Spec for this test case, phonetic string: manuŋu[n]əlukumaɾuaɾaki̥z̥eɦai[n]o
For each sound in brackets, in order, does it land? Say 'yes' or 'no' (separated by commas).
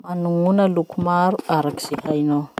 yes, yes